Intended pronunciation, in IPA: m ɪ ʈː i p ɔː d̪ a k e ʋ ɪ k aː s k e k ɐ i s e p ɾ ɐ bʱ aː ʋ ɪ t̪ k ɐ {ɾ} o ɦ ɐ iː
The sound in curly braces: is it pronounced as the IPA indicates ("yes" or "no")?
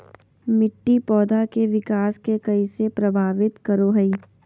yes